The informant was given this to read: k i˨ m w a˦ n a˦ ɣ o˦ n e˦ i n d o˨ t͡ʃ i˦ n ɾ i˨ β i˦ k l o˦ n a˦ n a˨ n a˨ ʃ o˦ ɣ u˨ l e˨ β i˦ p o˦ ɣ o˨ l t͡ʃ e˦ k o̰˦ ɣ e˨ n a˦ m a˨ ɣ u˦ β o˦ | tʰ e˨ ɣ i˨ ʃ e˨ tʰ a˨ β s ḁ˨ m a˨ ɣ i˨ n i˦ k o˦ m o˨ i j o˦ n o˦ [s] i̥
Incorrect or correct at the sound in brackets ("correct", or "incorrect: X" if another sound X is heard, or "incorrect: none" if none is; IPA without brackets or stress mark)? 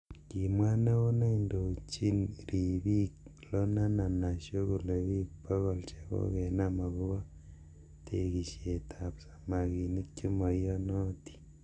incorrect: t